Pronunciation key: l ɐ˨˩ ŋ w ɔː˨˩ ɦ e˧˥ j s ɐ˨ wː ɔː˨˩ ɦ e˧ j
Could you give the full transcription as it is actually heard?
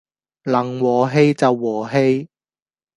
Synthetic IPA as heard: l ɐ˨˩ ŋ w ɔː˨˩ ɦ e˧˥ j t͡s ɐ˨ wː ɔː˨˩ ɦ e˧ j